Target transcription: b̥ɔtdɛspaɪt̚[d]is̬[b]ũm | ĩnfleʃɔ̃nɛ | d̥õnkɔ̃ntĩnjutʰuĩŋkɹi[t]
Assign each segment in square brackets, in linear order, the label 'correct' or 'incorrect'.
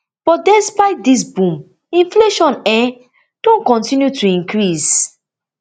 correct, correct, incorrect

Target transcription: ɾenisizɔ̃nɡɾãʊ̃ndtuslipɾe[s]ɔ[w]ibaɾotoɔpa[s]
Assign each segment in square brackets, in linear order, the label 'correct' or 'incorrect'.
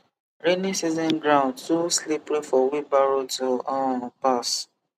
incorrect, correct, correct

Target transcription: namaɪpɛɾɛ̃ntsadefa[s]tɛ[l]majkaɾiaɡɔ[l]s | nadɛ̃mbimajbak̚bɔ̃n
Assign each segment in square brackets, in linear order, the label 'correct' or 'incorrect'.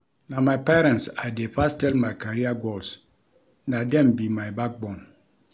correct, correct, correct

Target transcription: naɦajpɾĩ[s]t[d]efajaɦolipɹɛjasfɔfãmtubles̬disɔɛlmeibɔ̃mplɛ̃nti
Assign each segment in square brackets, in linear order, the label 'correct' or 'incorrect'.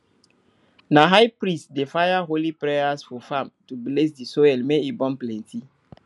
correct, correct

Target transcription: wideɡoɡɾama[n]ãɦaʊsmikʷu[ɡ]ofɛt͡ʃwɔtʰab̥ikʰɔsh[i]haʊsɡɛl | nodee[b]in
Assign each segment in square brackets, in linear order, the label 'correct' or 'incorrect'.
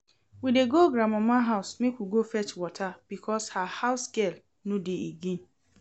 incorrect, correct, incorrect, incorrect

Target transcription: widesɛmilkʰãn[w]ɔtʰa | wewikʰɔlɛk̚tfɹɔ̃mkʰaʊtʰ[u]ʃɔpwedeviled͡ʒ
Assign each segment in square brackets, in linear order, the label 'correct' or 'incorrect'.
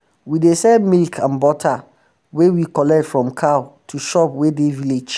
incorrect, correct

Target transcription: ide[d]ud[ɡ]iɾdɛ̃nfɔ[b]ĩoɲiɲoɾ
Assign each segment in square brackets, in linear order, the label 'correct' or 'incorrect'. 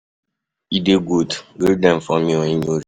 incorrect, correct, incorrect

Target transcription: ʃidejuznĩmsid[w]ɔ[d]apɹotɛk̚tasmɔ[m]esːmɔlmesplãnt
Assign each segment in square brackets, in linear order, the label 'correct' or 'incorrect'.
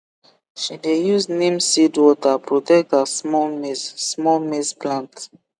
correct, incorrect, correct

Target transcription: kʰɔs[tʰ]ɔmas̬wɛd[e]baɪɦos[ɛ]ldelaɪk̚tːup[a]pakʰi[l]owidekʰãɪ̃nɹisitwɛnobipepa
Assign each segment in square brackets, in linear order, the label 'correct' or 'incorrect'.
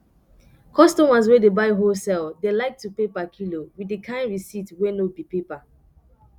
incorrect, correct, correct, incorrect, correct

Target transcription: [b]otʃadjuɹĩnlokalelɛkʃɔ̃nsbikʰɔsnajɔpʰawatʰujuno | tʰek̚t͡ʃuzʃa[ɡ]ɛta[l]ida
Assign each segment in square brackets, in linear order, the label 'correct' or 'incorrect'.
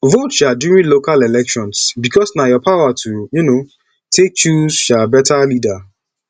incorrect, incorrect, correct

